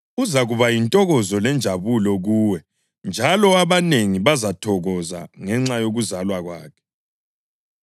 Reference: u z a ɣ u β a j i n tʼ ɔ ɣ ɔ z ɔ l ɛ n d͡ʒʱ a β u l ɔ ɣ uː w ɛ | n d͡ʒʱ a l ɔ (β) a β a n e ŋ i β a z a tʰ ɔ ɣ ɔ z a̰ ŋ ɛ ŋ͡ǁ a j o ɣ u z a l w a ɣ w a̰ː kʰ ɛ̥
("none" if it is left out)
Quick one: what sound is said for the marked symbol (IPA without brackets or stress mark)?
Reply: none